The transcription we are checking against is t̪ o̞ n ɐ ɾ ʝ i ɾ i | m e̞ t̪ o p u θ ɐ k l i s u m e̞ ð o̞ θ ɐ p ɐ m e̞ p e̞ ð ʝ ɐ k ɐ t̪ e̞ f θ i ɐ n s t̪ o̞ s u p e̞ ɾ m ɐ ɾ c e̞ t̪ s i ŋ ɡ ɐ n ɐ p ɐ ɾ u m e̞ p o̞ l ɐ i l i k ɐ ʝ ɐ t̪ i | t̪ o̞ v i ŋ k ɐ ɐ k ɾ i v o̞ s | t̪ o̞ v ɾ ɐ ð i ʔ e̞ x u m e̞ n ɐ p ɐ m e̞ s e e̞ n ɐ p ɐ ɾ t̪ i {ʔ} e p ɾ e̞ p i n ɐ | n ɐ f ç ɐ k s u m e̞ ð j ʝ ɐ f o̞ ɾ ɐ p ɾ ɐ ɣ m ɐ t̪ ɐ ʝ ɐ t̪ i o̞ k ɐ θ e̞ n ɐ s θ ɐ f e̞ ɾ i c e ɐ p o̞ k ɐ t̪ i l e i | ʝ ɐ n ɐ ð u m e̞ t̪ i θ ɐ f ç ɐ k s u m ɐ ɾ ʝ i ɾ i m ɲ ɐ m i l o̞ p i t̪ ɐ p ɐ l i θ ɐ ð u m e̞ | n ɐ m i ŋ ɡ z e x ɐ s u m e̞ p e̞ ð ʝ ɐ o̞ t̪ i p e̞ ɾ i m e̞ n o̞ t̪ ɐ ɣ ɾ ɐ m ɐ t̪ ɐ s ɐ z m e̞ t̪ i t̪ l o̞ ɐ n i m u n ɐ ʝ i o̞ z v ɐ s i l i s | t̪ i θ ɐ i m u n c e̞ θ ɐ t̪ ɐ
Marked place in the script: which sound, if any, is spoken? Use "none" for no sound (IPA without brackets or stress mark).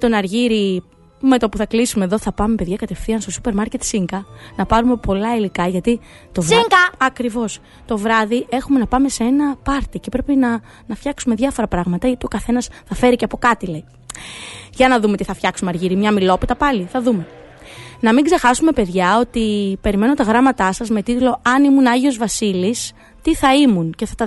c